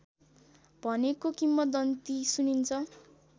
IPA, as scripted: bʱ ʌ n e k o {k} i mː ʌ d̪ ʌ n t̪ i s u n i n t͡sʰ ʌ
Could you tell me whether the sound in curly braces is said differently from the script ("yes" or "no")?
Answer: no